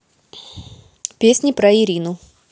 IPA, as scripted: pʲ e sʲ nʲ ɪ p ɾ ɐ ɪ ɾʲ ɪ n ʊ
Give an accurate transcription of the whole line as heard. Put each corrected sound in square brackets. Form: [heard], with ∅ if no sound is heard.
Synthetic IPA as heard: pʲ e sʲ nʲ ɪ p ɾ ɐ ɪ ɾʲ [i] n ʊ